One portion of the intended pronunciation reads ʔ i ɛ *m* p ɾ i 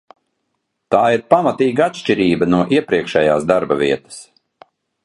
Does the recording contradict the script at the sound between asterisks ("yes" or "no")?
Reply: yes